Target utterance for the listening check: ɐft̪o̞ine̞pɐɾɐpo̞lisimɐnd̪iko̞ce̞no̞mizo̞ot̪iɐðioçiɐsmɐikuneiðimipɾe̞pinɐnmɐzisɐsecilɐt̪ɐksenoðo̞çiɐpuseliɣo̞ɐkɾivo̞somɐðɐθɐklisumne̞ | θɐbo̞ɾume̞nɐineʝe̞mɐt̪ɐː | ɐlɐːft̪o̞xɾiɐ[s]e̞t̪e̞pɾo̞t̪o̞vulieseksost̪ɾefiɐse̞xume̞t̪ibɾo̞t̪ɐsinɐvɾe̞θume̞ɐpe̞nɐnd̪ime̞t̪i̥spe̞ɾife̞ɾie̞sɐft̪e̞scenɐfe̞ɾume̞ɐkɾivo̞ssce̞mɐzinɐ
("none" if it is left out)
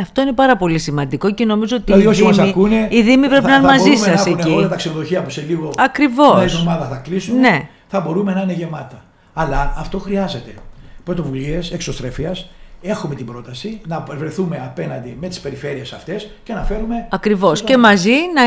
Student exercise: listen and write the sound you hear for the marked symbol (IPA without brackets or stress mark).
z